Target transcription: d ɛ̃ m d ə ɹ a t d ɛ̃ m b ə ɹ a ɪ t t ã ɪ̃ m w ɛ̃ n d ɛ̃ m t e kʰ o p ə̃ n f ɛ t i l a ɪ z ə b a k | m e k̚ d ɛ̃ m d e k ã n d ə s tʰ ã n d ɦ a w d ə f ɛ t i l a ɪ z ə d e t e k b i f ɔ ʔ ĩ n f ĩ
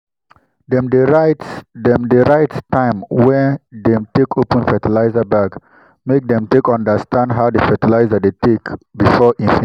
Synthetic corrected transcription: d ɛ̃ m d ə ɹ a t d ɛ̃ m d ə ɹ a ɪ t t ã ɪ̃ m w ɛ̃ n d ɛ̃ m t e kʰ o p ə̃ n f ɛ t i l a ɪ z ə b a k | m e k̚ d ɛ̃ m t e k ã n d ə s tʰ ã n d ɦ a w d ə f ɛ t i l a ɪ z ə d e t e k b i f ɔ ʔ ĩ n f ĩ